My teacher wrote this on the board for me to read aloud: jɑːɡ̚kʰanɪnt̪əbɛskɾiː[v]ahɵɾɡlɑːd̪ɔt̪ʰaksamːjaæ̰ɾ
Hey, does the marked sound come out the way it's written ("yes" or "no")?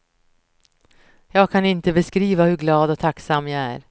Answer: yes